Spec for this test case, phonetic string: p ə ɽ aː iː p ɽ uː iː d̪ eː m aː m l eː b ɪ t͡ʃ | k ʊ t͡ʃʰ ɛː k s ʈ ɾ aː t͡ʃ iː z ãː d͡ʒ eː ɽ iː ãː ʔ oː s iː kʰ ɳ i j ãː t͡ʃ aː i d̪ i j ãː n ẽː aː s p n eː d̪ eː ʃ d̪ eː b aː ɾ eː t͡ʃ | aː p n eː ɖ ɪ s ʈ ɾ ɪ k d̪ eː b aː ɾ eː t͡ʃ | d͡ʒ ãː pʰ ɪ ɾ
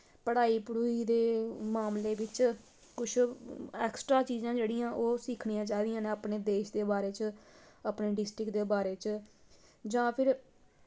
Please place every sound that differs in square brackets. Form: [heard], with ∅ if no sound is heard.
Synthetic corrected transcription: p ə ɽ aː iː p ɽ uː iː d̪ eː m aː m l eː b ɪ t͡ʃ | k ʊ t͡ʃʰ ɛː k s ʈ ɾ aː t͡ʃ iː z ãː d͡ʒ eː ɽ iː ãː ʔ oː s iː kʰ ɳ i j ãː t͡ʃ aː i d̪ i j ãː n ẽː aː [∅] p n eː d̪ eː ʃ d̪ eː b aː ɾ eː t͡ʃ | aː p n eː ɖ ɪ s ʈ ɾ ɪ k d̪ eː b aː ɾ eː t͡ʃ | d͡ʒ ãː pʰ ɪ ɾ